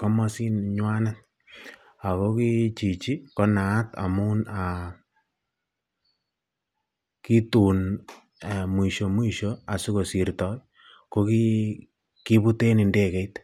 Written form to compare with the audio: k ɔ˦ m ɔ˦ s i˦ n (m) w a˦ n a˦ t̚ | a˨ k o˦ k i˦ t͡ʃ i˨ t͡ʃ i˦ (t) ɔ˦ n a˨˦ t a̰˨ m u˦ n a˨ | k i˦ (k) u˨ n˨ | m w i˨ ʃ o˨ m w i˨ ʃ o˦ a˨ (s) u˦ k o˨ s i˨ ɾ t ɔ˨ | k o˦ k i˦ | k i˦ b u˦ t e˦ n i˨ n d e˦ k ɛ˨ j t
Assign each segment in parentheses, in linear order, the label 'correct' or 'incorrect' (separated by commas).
incorrect, incorrect, incorrect, correct